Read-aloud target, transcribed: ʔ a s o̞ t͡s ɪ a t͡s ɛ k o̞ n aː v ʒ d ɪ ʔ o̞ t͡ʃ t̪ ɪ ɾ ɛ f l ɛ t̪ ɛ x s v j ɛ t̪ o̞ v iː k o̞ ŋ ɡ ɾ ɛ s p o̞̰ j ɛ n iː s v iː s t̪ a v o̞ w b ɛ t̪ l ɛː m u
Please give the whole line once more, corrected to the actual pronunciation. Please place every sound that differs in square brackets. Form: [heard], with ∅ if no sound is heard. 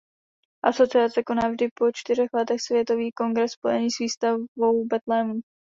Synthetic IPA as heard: ʔ a s o̞ t͡s ɪ a t͡s ɛ k o̞ n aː v ʒ d ɪ [p] o̞ t͡ʃ t̪ ɪ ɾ ɛ [x] l ɛ t̪ ɛ x s v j ɛ t̪ o̞ v iː k o̞ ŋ ɡ ɾ ɛ s p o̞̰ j ɛ n iː s v iː s t̪ a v o̞ w b ɛ t̪ l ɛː m u